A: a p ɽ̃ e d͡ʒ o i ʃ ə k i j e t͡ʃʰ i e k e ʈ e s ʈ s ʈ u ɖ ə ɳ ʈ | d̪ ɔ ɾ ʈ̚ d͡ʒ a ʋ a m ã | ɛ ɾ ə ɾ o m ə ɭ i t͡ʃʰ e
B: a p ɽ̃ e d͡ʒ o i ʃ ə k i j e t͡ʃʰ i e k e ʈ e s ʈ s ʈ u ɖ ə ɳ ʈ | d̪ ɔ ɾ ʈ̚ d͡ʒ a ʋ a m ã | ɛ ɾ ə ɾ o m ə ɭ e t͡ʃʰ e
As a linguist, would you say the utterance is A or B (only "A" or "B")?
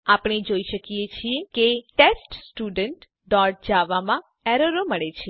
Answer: B